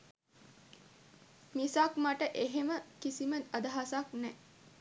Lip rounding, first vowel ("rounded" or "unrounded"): unrounded